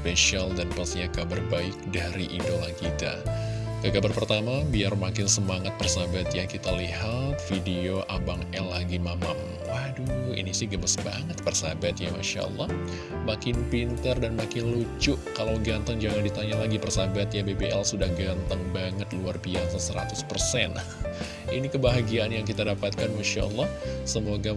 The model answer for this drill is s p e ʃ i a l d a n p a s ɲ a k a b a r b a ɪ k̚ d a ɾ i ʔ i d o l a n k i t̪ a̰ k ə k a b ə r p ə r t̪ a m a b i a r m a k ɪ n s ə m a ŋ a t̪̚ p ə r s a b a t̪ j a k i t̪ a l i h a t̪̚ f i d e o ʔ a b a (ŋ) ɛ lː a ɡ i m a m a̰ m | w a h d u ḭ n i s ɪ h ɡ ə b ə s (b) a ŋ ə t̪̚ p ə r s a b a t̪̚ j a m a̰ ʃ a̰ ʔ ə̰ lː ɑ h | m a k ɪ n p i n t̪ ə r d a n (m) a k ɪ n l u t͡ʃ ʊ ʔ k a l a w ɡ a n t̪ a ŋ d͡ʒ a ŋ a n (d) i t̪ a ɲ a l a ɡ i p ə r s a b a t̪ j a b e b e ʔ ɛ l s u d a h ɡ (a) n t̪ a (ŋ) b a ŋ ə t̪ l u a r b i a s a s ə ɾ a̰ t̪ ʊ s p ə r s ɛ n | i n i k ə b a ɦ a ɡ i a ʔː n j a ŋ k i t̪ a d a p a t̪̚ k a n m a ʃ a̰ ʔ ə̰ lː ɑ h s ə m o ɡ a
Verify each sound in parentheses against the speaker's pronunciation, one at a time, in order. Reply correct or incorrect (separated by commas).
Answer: correct, correct, correct, correct, correct, correct